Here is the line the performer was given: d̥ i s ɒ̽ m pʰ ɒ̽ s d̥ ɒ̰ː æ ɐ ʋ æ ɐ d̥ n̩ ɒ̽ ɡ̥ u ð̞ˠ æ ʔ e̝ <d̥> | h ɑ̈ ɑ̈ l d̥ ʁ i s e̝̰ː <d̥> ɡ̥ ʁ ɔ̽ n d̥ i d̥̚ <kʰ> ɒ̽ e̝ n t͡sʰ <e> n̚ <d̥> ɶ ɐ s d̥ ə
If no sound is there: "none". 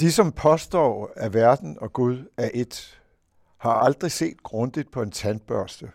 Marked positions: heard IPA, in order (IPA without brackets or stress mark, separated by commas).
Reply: d̥, d̥, pʰ, æ, b̥